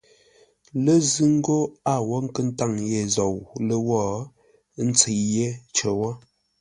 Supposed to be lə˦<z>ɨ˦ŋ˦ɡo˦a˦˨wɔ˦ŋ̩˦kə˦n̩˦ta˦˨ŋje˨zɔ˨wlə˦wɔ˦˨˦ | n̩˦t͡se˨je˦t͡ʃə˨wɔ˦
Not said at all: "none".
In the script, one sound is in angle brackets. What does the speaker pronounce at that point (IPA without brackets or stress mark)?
z